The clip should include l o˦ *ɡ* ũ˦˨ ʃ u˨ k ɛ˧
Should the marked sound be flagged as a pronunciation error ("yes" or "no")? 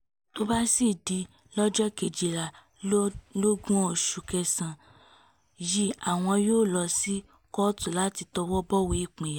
no